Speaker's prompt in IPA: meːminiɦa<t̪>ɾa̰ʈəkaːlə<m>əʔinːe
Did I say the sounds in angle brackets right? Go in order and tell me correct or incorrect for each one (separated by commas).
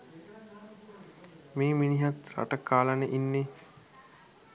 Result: correct, incorrect